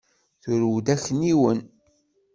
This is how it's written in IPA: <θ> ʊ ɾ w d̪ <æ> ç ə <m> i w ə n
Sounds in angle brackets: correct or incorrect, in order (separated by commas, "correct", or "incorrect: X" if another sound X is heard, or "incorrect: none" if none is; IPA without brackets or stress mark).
correct, correct, incorrect: n